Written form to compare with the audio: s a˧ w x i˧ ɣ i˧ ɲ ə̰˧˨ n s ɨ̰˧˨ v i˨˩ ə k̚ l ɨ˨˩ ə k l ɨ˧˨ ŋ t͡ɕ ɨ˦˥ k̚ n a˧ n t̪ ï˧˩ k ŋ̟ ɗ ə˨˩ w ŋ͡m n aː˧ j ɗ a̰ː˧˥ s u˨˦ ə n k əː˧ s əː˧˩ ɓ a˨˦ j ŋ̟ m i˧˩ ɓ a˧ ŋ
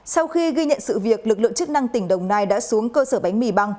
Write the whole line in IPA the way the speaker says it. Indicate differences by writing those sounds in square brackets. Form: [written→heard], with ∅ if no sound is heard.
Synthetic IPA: s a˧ w x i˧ ɣ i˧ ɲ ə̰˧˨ n s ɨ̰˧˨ v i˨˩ ə k̚ l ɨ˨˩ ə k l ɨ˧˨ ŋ t͡ɕ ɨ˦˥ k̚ n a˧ [n→ŋ] t̪ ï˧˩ [k→∅] ŋ̟ ɗ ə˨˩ w ŋ͡m n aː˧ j ɗ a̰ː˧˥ s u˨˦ ə [n→ŋ] k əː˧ s əː˧˩ ɓ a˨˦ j ŋ̟ m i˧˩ ɓ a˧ ŋ